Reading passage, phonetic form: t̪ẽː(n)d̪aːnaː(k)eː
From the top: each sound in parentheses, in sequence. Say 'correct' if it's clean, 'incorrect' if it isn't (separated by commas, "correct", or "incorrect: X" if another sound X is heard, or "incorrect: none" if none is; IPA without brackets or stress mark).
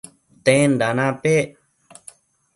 correct, incorrect: p